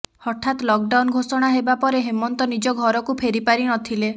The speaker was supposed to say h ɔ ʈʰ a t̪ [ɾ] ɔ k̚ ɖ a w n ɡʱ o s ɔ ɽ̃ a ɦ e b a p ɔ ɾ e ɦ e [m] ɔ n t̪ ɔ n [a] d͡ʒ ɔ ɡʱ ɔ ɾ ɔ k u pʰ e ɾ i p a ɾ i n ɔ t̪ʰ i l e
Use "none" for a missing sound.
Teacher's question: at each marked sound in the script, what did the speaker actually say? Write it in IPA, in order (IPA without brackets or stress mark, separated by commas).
l, m, i